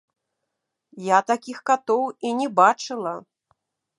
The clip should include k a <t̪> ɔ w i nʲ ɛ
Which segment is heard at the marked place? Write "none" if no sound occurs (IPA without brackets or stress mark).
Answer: t̪